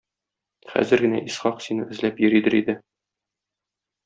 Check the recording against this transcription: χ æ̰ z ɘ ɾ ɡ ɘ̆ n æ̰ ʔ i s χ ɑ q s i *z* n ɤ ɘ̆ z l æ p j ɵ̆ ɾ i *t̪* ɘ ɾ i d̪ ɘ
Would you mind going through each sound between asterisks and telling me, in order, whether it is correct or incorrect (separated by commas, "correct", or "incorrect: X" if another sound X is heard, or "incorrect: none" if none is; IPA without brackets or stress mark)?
incorrect: none, incorrect: d̪